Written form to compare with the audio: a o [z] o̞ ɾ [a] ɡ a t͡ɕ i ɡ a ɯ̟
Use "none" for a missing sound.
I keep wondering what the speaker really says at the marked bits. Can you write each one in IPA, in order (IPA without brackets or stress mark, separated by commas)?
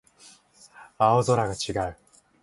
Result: z, a